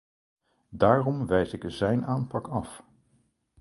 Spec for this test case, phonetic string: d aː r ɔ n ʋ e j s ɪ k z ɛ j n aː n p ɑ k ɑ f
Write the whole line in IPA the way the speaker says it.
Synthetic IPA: d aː r ɔ m ʋ ɛ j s ɪ k z ɛ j n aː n p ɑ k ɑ f